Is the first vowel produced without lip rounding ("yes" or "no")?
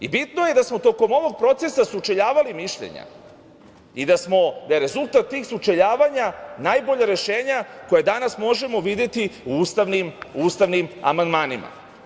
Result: yes